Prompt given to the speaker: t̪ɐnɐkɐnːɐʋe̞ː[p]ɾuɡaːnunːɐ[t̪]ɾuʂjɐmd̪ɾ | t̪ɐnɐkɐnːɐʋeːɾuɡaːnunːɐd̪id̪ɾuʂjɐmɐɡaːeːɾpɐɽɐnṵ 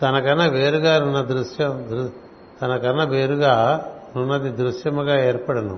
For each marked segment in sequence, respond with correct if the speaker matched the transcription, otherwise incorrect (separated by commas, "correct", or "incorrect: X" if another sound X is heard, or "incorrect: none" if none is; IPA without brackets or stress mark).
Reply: incorrect: none, incorrect: d̪